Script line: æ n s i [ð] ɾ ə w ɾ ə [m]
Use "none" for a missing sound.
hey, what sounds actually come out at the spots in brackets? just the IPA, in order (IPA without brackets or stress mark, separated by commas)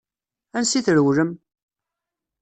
θ, m